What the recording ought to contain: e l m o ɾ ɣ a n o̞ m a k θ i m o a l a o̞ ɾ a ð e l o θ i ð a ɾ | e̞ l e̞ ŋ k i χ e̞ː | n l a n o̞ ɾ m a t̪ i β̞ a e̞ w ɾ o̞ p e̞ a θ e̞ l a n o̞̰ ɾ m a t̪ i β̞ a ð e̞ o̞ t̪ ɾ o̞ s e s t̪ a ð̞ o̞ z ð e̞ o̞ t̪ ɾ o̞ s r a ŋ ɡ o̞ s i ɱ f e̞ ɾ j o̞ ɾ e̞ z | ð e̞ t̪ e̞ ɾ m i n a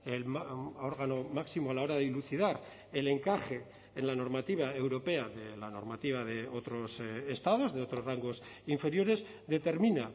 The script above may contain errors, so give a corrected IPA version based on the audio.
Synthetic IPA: e l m o ɾ ɣ a n o̞ m a k s i m o a l a o̞ ɾ a ð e l u θ i ð a ɾ | e̞ l e̞ ŋ k a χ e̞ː | n l a n o̞ ɾ m a t̪ i β̞ a e̞ w ɾ o̞ p e̞ a ð e̞ l a n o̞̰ ɾ m a t̪ i β̞ a ð e̞ o̞ t̪ ɾ o̞ s e s t̪ a ð̞ o̞ z ð e̞ o̞ t̪ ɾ o̞ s r a ŋ ɡ o̞ s i ɱ f e̞ ɾ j o̞ ɾ e̞ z | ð e̞ t̪ e̞ ɾ m i n a

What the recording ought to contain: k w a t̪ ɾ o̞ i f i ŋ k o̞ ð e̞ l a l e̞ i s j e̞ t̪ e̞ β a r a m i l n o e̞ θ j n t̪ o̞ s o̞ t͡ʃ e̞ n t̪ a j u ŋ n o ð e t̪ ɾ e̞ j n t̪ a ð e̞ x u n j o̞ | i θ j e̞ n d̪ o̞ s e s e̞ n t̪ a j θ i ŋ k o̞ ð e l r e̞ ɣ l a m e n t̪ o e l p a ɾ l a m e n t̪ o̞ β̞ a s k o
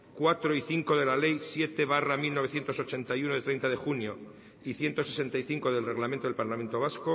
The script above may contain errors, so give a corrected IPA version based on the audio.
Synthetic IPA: k w a t̪ ɾ o̞ i θ i ŋ k o̞ ð e̞ l a l e̞ j s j e̞ t̪ e̞ β a r a m i l n o e̞ θ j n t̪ o̞ s o̞ t͡ʃ e̞ n t̪ a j u n o ð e t̪ ɾ e̞ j n t̪ a ð e̞ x u n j o̞ | i θ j e̞ n t̪ o̞ s e s e̞ n t̪ a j θ i ŋ k o̞ ð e l r e̞ ɣ l a m e n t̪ o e l p a ɾ l a m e n t̪ o̞ β̞ a s k o

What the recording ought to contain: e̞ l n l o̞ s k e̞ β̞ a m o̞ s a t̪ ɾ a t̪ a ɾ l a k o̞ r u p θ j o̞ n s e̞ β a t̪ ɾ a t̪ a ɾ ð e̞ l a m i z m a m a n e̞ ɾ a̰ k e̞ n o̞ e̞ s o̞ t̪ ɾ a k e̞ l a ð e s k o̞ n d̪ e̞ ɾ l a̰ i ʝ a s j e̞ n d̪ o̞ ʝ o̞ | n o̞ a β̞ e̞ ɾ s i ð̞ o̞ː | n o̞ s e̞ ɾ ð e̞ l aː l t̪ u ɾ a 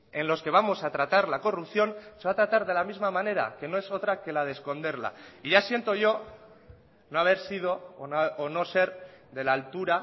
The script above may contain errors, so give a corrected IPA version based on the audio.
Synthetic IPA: e̞ n l o̞ s k e̞ β̞ a m o̞ s a t̪ ɾ a t̪ a ɾ l a k o̞ r u p θ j o̞ n s e̞ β a t̪ ɾ a t̪ a ɾ ð e̞ l a m i z m a m a n e̞ ɾ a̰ k e̞ n o̞ e̞ s o̞ t̪ ɾ a k e̞ l a ð e s k o̞ n d̪ e̞ ɾ l a̰ i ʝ a s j e̞ n t̪ o̞ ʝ o̞ | n o̞ a β̞ e̞ ɾ s i ð̞ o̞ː | n o̞ s e̞ ɾ ð e̞ l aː l t̪ u ɾ a

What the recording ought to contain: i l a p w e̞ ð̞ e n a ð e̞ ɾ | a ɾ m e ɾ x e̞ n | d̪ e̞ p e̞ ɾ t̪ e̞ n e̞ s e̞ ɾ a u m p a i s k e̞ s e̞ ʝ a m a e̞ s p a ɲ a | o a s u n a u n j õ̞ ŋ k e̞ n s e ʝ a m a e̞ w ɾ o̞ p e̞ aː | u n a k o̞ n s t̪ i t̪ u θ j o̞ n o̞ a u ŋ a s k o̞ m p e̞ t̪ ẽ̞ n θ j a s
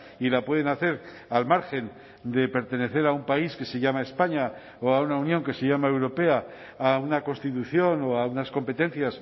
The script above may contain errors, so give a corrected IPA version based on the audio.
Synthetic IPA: i l a p w e̞ ð̞ e n a θ e̞ ɾ | a l m a ɾ x e̞ n | d̪ e̞ p e̞ ɾ t̪ e̞ n e̞ θ e̞ ɾ a u m p a i s k e̞ s e̞ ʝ a m a e̞ s p a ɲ a | o a u n a u n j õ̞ ŋ k e̞ s e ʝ a m a e̞ w ɾ o̞ p e̞ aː | u n a k o̞ n s t̪ i t̪ u θ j o̞ n o̞ a u n a s k o̞ m p e̞ t̪ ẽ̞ n θ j a s

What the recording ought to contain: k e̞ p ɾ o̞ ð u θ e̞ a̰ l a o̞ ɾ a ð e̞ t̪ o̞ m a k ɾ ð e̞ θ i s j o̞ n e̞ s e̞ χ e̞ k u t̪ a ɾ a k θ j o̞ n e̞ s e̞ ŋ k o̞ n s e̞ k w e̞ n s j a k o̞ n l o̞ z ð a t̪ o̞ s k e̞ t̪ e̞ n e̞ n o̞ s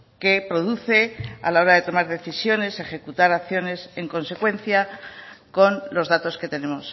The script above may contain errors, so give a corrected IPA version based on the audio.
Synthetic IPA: k e̞ p ɾ o̞ ð u θ e̞ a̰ l a o̞ ɾ a ð e̞ t̪ o̞ m a ɾ ð e̞ θ i s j o̞ n e̞ s e̞ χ e̞ k u t̪ a ɾ a k θ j o̞ n e̞ s e̞ ŋ k o̞ n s e̞ k w e̞ n θ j a k o̞ n l o̞ z ð a t̪ o̞ s k e̞ t̪ e̞ n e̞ m o̞ s

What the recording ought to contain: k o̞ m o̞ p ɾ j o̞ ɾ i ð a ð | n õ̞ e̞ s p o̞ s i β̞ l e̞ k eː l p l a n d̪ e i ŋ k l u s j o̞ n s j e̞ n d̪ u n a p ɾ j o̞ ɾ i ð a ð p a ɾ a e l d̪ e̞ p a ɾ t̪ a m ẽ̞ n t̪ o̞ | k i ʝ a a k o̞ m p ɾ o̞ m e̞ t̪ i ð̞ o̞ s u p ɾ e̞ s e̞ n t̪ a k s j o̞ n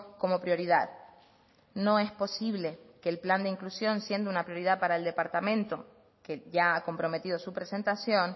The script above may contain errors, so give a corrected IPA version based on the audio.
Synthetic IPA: k o̞ m o̞ p ɾ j o̞ ɾ i ð a ð | n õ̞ e̞ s p o̞ s i β̞ l e̞ k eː l p l a n d̪ e i ŋ k l u s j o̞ n s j e̞ n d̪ u n a p ɾ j o̞ ɾ i ð a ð p a ɾ a e l d̪ e̞ p a ɾ t̪ a m ẽ̞ n t̪ o̞ | k e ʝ a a k o̞ m p ɾ o̞ m e̞ t̪ i ð̞ o̞ s u p ɾ e̞ s e̞ n t̪ a s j o̞ n

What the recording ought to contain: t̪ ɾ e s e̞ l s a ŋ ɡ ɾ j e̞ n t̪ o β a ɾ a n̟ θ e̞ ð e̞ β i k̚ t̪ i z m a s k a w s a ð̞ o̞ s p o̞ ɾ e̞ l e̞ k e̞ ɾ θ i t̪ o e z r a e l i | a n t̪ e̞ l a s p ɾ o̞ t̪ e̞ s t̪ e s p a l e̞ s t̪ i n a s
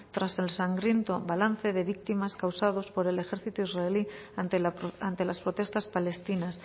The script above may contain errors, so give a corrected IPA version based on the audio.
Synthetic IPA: t̪ ɾ a s e̞ l s a ŋ ɡ ɾ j e̞ n t̪ o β a l a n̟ θ e̞ ð e̞ β i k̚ t̪ i m a s k a w s a ð̞ o̞ s p o̞ ɾ e̞ l e̞ x e̞ ɾ θ i t̪ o i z r a e l i | a n t̪ e̞ l a s p ɾ o̞ t̪ e̞ s t̪ a s p a l e̞ s t̪ i n a s

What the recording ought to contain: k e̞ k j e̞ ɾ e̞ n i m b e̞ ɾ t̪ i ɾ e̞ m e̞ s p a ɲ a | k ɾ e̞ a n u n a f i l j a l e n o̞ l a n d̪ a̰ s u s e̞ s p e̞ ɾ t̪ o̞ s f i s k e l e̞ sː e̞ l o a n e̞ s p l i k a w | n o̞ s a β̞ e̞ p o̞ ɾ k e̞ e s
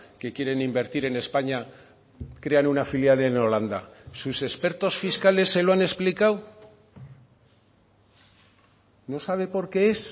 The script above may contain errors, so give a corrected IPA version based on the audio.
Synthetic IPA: k e̞ k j e̞ ɾ e̞ n i m b e̞ ɾ t̪ i ɾ e̞ n e̞ s p a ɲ a | k ɾ e̞ a n u n a f i l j a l e n o̞ l a n d̪ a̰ s u s e̞ s p e̞ ɾ t̪ o̞ s f i s k a l e̞ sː e̞ l o a n e̞ s p l i k a w | n o̞ s a β̞ e̞ p o̞ ɾ k e̞ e s

